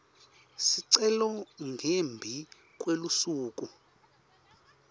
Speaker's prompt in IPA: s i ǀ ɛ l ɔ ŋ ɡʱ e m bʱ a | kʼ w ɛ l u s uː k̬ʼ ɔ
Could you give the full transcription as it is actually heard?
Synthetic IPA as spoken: s i ǀ ɛ l ɔ ŋ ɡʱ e m bʱ i | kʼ w e l u s uː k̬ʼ u